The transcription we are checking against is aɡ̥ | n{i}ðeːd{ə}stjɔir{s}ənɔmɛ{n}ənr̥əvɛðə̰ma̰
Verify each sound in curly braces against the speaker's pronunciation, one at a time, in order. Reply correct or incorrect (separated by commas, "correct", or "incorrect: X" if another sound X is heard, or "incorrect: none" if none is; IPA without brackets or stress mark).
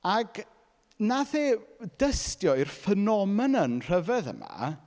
incorrect: a, correct, incorrect: f, correct